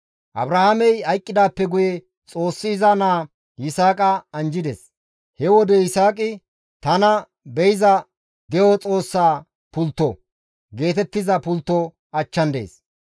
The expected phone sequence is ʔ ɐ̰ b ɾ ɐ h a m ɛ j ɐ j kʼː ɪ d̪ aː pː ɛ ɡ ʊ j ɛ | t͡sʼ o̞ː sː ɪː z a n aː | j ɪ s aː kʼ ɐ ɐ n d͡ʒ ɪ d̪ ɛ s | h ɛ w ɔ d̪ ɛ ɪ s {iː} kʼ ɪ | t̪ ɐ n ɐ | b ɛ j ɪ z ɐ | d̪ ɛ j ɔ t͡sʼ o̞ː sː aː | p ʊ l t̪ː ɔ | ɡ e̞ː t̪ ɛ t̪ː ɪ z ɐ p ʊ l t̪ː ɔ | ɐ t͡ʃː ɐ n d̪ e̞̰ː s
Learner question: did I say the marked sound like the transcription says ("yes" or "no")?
no